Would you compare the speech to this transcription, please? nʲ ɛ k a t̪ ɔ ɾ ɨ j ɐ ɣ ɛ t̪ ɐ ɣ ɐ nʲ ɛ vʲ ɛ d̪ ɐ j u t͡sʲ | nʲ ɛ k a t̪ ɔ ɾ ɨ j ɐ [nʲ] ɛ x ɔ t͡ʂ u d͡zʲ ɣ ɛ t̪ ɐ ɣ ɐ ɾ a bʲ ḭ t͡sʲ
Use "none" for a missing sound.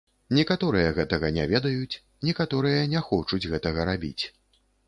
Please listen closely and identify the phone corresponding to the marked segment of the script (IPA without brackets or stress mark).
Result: nʲ